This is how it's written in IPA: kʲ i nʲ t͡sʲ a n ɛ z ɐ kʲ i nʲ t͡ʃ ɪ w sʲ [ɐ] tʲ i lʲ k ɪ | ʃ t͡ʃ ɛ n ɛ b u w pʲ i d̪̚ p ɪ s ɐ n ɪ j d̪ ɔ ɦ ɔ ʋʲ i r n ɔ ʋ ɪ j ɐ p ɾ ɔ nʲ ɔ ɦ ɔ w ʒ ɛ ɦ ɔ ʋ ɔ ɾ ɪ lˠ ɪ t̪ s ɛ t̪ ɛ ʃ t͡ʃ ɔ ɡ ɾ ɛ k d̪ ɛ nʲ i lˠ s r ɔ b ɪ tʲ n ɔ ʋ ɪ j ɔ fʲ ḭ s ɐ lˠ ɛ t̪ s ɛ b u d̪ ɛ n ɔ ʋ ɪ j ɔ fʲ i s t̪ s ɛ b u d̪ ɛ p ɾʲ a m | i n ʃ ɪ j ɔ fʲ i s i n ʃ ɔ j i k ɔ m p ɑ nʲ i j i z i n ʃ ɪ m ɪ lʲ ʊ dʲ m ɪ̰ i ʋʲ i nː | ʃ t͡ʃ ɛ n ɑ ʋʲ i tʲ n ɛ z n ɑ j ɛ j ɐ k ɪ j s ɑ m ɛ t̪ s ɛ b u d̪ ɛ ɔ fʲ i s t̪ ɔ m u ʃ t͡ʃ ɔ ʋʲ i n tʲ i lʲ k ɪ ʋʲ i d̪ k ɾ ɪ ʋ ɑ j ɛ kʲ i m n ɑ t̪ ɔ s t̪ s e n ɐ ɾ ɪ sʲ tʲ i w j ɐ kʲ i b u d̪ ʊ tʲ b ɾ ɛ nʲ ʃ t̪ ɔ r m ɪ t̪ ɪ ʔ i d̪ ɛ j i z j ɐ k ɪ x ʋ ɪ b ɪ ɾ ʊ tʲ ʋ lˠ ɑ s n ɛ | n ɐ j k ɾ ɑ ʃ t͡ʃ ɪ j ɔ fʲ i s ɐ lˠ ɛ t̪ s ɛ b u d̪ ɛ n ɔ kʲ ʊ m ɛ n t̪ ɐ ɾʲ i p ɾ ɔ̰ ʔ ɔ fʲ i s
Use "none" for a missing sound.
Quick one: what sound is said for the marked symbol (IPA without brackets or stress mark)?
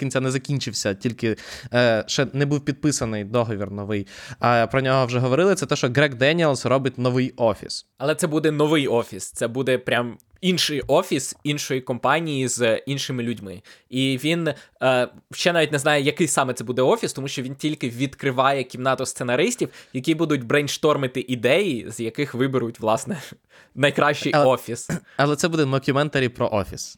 ɐ